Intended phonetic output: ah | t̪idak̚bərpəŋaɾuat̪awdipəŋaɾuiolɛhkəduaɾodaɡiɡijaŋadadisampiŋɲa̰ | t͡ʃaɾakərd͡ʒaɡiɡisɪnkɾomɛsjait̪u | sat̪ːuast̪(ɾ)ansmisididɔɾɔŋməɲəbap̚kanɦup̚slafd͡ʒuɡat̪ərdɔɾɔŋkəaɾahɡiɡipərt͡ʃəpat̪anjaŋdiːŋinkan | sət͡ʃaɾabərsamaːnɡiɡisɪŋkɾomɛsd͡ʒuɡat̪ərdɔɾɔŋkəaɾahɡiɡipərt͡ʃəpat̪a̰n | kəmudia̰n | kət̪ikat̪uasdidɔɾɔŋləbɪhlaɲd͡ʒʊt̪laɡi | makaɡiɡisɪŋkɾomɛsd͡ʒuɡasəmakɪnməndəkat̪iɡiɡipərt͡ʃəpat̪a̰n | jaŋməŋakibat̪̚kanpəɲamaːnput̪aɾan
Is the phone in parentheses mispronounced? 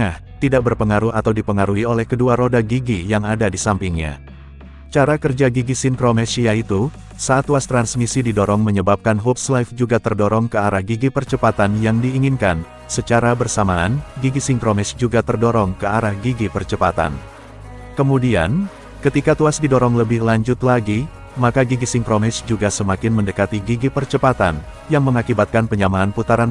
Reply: no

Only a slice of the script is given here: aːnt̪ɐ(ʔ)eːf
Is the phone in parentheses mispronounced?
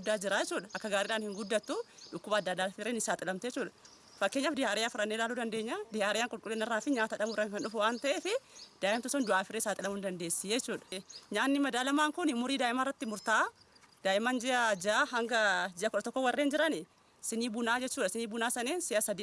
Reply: no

